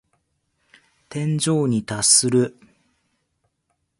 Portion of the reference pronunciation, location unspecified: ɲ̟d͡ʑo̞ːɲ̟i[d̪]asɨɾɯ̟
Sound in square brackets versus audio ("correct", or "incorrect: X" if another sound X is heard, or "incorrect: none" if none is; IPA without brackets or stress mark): incorrect: t̪